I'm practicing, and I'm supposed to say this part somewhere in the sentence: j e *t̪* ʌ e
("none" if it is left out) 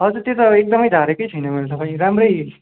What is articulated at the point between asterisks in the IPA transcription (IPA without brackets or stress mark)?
t̪